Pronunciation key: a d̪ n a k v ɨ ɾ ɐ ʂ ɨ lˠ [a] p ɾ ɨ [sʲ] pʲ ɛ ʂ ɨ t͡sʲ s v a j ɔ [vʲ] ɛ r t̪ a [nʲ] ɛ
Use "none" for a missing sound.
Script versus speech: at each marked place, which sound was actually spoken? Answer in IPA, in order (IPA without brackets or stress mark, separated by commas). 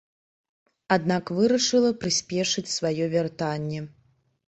ɐ, sʲ, vʲ, nʲː